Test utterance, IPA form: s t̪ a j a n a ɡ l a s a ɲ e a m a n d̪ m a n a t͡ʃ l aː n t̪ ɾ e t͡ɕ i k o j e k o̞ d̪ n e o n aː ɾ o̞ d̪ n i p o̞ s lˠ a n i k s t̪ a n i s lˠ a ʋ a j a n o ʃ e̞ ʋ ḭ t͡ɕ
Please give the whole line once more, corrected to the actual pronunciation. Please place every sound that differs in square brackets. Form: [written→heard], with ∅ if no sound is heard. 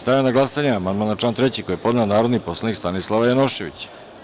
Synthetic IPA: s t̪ a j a n a ɡ l a s a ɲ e a m a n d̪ m a n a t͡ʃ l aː n t̪ ɾ e t͡ɕ i k o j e [k→p] o̞ d̪ n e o n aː ɾ o̞ d̪ n i p o̞ s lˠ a n i k s t̪ a n i s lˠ a ʋ a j a n o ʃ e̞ ʋ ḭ t͡ɕ